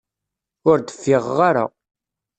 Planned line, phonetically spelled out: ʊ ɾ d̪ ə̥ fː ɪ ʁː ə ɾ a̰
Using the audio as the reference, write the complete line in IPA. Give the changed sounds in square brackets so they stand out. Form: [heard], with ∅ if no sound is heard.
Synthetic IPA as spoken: ʊ ɾ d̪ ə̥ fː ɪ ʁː [a] ɾ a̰